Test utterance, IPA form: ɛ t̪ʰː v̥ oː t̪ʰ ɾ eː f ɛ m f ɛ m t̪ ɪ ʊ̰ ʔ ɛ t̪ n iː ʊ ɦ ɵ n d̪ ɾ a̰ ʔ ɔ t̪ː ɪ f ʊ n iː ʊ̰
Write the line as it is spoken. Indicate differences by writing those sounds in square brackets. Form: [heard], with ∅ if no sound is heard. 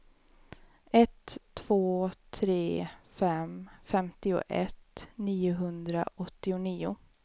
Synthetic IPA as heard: ɛ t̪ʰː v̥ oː t̪ʰ ɾ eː f ɛ m f ɛ m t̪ ɪ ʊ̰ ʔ ɛ t̪ n iː ʊ ɦ ɵ n d̪ ɾ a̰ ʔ ɔ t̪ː ɪ [∅] ʊ n iː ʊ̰